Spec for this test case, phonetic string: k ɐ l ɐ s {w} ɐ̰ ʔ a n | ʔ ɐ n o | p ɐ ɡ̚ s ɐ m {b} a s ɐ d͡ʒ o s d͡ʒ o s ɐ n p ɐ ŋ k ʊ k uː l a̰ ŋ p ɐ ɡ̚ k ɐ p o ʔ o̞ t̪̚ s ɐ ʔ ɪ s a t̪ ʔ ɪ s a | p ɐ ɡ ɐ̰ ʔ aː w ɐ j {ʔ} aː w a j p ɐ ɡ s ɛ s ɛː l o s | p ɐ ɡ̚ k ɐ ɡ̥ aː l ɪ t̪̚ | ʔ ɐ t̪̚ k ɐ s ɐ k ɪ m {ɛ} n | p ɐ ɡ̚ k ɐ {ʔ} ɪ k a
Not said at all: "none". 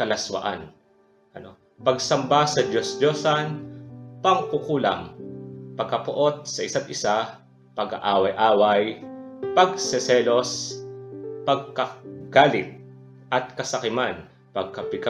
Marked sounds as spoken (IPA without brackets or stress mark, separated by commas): w, b, ʔ, a, p